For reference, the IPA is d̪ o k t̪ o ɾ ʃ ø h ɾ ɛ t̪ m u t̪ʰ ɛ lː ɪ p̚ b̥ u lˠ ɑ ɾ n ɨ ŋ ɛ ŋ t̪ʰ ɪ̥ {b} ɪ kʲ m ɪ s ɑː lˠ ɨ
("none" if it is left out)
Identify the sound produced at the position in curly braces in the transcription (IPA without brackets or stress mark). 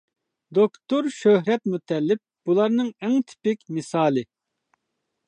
p